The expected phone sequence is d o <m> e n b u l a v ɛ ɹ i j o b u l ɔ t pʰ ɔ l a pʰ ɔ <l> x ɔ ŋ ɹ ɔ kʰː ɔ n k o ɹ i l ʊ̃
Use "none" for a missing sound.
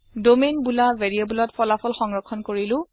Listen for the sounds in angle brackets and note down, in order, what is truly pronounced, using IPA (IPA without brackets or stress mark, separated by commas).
m, l